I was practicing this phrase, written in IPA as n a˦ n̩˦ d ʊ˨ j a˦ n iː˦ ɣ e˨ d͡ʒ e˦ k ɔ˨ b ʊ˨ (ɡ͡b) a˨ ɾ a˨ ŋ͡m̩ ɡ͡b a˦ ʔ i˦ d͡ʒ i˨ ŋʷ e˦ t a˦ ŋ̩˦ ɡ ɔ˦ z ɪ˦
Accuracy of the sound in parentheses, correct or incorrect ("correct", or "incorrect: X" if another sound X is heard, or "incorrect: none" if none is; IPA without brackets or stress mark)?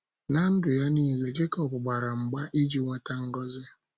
correct